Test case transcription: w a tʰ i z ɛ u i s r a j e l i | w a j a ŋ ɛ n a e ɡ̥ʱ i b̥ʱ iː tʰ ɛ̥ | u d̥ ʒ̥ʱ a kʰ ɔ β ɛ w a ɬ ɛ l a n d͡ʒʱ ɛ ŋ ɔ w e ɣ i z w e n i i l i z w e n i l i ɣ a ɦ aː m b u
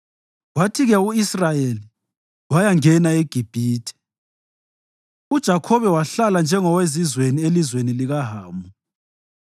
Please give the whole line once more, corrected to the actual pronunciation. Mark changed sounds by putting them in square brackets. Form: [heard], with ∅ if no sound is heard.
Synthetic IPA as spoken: w a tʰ i [ɣ] ɛ u i s r a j e l i | w a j a ŋ ɛ n a e ɡ̥ʱ i b̥ʱ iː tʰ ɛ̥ | u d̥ ʒ̥ʱ a kʰ ɔ β ɛ w a ɬ [a] l a n d͡ʒʱ ɛ ŋ ɔ w e [z] i z w e n i [e] l i z w e n i l i ɣ a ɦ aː m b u